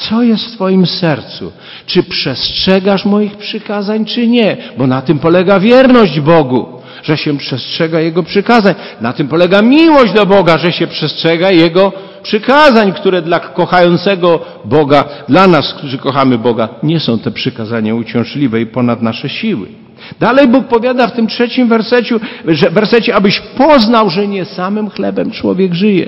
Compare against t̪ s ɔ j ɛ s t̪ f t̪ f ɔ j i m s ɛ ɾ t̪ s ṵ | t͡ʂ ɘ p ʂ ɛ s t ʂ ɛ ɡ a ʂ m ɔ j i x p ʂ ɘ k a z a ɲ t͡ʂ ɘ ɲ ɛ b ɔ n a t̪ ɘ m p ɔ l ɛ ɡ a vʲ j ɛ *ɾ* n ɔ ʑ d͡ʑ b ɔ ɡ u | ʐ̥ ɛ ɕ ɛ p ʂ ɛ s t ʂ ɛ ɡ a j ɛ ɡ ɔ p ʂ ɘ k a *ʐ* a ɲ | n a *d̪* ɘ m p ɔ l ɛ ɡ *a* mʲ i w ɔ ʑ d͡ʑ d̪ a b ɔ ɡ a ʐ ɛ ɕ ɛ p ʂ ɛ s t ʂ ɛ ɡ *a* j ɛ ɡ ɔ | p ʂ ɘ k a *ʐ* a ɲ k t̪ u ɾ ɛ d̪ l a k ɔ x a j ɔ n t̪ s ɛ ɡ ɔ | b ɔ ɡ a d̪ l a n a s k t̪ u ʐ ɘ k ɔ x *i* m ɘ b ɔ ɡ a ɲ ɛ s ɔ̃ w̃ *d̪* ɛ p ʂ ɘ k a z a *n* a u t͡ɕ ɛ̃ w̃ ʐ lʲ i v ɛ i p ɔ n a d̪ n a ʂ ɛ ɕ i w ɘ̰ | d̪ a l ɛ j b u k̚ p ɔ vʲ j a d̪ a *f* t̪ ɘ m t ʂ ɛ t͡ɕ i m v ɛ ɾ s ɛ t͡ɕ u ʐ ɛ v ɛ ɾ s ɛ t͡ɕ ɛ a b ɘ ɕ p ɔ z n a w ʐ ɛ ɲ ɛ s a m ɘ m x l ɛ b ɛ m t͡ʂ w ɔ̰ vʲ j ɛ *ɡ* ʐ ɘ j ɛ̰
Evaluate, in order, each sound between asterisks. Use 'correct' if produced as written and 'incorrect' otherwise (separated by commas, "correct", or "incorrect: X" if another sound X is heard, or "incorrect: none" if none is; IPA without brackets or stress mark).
correct, incorrect: z, incorrect: t̪, correct, correct, incorrect: z, incorrect: a, incorrect: t̪, incorrect: ɲ, correct, correct